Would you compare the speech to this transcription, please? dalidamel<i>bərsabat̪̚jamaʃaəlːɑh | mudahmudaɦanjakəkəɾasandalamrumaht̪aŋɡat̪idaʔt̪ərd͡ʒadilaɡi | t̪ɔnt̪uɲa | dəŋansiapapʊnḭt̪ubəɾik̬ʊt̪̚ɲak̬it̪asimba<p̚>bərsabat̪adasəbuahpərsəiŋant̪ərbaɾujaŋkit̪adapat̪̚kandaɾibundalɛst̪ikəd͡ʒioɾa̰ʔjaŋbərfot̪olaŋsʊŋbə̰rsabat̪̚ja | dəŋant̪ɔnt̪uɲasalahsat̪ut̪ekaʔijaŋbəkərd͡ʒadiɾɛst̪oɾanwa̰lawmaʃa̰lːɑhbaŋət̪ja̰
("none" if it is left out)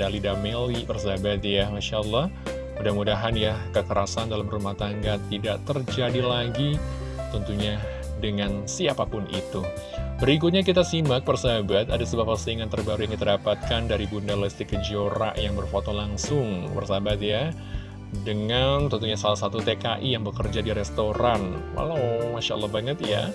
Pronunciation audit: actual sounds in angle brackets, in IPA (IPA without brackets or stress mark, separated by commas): i, k̚